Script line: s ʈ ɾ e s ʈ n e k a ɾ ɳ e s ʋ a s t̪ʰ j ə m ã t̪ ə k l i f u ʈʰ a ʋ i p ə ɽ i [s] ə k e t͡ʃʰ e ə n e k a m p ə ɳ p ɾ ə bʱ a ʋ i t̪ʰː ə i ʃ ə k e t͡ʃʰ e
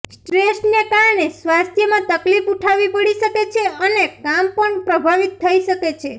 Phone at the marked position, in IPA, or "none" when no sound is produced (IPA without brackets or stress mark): ʃ